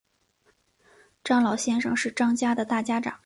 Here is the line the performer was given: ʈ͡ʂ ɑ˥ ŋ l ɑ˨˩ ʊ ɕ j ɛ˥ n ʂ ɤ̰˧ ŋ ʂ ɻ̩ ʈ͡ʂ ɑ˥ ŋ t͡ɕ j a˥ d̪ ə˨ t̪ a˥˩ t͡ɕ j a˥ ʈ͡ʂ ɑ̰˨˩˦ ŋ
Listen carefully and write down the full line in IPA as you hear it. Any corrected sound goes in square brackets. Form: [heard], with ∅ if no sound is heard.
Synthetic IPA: ʈ͡ʂ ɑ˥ ŋ l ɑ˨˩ ʊ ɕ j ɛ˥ n ʂ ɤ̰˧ ŋ ʂ ɻ̩ ʈ͡ʂ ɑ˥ ŋ t͡ɕ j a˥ d̪ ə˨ t̪ a˥˩ t͡ɕ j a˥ ʈ͡ʂ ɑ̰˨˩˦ ŋ

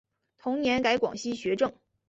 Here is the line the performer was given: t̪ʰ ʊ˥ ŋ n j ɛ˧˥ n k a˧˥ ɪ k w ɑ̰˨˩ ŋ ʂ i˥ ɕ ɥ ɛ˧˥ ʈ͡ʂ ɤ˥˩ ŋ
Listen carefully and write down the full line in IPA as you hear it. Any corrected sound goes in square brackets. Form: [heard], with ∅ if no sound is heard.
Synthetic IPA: t̪ʰ [ʊ˧˥] ŋ n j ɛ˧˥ n k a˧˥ ɪ k w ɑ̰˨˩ ŋ [ɕ] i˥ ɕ ɥ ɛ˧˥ ʈ͡ʂ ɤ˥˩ ŋ

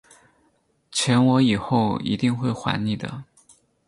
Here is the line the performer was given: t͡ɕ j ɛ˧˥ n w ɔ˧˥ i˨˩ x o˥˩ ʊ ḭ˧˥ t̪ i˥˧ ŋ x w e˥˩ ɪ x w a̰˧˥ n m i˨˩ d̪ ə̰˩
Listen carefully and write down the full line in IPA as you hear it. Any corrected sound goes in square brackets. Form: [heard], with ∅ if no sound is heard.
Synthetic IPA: [t͡ɕʰ] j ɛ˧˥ n w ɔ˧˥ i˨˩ x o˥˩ ʊ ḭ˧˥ t̪ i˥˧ ŋ x w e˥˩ ɪ x w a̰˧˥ n [n] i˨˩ d̪ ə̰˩

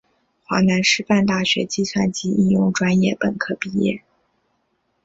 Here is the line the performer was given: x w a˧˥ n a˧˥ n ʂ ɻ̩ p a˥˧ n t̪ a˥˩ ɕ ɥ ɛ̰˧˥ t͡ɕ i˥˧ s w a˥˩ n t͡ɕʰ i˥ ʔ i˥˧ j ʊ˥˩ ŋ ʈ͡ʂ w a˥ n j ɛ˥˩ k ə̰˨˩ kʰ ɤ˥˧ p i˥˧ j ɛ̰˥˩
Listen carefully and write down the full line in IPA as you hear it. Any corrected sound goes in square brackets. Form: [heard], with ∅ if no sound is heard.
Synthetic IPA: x w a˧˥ n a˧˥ n ʂ ɻ̩ p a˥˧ n t̪ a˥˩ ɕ ɥ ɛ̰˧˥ t͡ɕ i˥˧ s w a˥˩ n [t͡ɕ] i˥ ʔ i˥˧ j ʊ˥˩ ŋ ʈ͡ʂ w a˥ n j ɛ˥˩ [p] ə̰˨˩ kʰ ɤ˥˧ p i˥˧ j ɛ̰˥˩

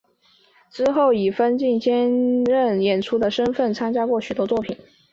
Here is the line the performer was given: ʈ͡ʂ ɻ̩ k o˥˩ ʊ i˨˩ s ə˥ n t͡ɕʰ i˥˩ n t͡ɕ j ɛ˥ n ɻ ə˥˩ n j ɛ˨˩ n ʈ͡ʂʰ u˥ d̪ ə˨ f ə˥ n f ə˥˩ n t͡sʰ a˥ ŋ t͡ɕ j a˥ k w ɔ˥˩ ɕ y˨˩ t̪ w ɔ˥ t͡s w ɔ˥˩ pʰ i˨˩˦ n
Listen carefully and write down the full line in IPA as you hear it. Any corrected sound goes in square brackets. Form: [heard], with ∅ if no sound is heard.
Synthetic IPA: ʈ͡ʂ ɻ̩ [x] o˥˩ ʊ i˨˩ [f] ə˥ n [t͡ɕ] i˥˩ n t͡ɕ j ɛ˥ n ɻ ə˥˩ n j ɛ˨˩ n ʈ͡ʂʰ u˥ d̪ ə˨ [ʂ] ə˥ n f ə˥˩ n t͡sʰ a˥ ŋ t͡ɕ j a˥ k w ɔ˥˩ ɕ y˨˩ t̪ w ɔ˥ t͡s w ɔ˥˩ pʰ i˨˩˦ n

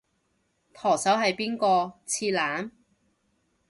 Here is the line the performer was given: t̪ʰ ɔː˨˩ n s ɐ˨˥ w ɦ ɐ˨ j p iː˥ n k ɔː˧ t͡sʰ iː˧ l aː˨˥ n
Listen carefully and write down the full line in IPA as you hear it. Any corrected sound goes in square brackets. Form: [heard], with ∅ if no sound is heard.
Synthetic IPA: t̪ʰ ɔː˨˩ [∅] s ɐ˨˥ w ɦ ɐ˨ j p iː˥ n k ɔː˧ t͡sʰ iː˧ l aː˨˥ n

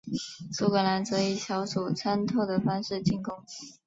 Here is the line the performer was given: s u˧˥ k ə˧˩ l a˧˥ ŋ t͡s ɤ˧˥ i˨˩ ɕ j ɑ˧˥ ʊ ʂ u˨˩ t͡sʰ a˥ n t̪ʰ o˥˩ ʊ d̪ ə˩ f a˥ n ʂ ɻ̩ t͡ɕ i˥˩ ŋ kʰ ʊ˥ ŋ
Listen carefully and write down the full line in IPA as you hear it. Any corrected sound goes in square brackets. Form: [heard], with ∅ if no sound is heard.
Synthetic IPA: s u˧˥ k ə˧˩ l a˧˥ [n] t͡s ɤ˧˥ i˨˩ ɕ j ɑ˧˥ ʊ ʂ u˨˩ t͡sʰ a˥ n t̪ʰ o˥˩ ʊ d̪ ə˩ f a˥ n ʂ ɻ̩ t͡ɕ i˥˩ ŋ [k] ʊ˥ ŋ

